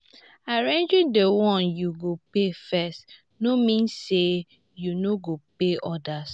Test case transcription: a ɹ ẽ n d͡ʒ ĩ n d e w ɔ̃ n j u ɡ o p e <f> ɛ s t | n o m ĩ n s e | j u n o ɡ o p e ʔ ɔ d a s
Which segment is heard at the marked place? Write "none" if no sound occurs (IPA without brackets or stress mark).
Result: f